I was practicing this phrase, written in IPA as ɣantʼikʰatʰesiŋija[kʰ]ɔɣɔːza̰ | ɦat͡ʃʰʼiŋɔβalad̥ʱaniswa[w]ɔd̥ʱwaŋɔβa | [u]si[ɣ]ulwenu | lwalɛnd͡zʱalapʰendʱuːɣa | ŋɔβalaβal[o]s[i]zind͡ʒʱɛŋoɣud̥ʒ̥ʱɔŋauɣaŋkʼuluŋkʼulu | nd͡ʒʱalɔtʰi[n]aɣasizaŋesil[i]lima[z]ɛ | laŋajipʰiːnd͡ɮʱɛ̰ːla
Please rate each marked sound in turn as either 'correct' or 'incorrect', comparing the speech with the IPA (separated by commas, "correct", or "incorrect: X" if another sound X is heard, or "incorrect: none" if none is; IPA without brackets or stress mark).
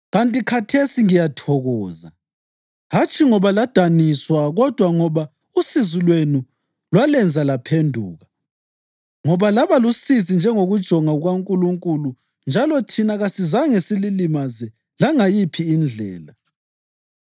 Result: incorrect: tʰ, incorrect: ɣ, correct, incorrect: z, incorrect: u, correct, correct, correct, correct